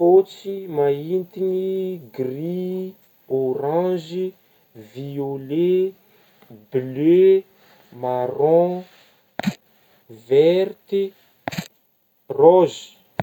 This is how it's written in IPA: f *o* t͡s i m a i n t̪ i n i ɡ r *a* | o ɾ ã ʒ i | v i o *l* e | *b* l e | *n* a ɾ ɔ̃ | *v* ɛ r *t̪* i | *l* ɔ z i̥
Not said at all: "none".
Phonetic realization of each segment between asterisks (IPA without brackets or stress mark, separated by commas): o, i, l, b, m, v, t̪, r